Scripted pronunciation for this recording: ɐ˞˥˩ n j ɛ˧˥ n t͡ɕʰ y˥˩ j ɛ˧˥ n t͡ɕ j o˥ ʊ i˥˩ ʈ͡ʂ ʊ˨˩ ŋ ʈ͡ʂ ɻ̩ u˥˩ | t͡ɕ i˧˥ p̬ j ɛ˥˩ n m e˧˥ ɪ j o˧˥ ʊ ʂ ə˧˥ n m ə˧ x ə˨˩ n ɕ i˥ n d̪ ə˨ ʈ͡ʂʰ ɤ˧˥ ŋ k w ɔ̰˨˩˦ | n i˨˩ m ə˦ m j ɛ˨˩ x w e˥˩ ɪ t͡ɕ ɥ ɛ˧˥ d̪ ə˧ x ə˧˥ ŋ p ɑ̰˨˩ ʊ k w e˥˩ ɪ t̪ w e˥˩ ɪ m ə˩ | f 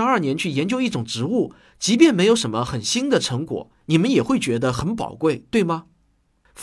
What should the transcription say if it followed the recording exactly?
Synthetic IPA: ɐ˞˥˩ n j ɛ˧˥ n t͡ɕʰ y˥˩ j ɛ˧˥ n t͡ɕ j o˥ ʊ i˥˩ ʈ͡ʂ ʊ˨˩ ŋ ʈ͡ʂ ɻ̩ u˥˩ | t͡ɕ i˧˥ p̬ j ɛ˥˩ n m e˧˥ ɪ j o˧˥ ʊ ʂ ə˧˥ n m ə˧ x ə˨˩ n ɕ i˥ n d̪ ə˨ ʈ͡ʂʰ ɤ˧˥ ŋ k w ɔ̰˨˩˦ | n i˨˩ m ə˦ n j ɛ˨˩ x w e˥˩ ɪ t͡ɕ ɥ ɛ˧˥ d̪ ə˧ x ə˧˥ n p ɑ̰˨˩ ʊ k w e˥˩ ɪ t̪ w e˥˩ ɪ m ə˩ | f